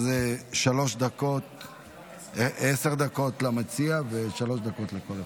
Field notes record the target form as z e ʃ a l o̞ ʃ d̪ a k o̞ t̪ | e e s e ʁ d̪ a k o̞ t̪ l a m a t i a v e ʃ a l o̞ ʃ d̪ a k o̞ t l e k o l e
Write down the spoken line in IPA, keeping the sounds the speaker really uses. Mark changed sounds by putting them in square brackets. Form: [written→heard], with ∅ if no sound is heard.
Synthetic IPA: z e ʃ a l o̞ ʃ d̪ a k o̞ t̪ | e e s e ʁ d̪ a k o̞ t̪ l a m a [t→t͡s] i a v e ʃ a l o̞ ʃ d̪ a k o̞ t l e k o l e